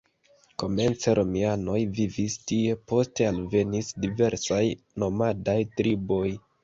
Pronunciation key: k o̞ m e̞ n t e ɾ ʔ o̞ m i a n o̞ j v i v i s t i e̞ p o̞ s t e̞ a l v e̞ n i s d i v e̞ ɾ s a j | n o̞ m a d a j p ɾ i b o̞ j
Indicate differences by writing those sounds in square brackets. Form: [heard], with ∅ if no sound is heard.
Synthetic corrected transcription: k o̞ m e̞ n [t͡s] e ɾ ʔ o̞ m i a n o̞ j v i v i s t i e̞ p o̞ s t e̞ a l v e̞ n i s d i v e̞ ɾ s a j | n o̞ m a d a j [t] ɾ i b o̞ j